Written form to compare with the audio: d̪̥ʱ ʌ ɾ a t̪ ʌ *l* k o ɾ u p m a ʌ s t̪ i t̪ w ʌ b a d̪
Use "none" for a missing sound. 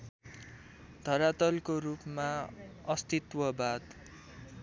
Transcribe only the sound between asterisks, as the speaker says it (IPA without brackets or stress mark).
l